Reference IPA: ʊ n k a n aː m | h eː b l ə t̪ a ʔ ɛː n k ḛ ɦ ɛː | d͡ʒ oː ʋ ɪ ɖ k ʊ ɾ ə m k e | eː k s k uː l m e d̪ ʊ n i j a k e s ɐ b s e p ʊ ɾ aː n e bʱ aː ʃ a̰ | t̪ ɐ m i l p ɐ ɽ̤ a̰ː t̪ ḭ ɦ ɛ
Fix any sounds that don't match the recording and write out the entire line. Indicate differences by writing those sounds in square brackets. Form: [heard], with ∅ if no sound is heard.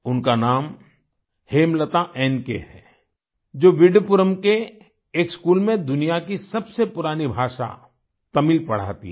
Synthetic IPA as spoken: ʊ n k a n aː m | h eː [m] l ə t̪ a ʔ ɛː n k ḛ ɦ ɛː | d͡ʒ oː ʋ ɪ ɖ [p] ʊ ɾ ə m k e | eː k s k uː l m [ẽ] d̪ ʊ n i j a k [i] s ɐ b s e p ʊ ɾ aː n [i] bʱ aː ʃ a̰ | t̪ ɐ m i l p ɐ ɽ̤ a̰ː t̪ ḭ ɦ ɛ